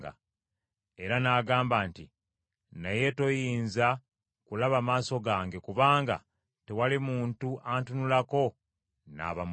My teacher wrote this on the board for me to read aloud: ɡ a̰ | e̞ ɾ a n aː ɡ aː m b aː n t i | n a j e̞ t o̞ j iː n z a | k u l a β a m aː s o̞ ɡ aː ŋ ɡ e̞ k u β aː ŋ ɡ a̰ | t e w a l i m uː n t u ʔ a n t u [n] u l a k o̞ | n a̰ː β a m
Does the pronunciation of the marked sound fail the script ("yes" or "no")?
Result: no